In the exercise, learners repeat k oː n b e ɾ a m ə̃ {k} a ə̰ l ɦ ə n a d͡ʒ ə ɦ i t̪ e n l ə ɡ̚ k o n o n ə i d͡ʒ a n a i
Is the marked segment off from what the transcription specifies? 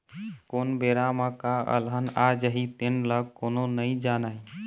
no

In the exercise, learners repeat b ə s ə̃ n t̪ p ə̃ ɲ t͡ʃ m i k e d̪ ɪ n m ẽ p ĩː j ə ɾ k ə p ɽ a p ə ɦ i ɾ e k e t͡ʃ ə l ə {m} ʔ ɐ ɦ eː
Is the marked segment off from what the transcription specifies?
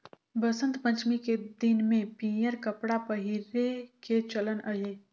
yes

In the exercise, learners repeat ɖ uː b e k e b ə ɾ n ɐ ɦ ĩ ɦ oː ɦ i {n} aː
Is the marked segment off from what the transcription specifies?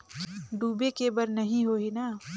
no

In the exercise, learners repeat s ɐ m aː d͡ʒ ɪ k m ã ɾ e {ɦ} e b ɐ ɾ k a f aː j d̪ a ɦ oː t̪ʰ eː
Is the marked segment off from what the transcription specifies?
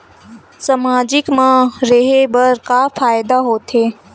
no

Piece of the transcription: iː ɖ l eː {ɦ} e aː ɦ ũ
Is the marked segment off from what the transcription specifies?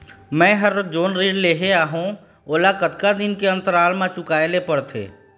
no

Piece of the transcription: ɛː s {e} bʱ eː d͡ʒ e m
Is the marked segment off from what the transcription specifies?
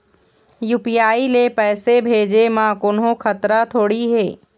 no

